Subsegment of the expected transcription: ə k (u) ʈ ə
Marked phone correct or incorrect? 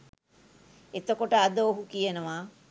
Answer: incorrect